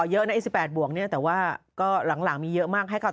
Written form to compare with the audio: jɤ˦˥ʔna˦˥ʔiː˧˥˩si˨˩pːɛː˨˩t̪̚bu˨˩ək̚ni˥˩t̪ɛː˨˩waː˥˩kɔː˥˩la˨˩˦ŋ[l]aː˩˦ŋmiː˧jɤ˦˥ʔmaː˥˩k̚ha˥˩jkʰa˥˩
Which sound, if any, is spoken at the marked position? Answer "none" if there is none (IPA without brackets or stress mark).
l